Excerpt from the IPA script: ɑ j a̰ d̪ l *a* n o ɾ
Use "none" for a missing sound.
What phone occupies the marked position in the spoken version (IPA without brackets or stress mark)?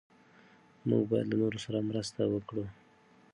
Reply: a